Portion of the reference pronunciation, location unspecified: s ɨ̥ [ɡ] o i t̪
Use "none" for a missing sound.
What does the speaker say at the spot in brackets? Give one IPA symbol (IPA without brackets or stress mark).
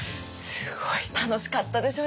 ɡ